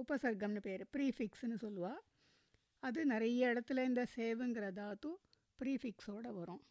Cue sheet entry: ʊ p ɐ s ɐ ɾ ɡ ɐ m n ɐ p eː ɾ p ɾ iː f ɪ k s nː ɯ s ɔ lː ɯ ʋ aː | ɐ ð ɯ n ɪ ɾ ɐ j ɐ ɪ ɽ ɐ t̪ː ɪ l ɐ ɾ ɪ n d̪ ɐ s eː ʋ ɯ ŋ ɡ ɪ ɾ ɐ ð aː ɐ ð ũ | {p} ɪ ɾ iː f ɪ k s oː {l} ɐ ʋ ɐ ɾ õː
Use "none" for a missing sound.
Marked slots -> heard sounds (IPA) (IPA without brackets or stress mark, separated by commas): p, ɽ